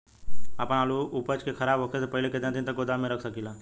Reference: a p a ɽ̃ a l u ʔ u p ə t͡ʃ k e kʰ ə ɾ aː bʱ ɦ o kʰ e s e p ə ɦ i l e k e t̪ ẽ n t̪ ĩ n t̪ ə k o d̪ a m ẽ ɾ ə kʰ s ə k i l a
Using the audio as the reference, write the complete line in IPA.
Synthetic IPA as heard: a p ə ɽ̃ a l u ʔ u p ə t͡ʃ k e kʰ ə ɾ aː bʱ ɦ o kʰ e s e p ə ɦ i l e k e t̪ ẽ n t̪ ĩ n t̪ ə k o d̪ a m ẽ ɾ ə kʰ s ə k i l a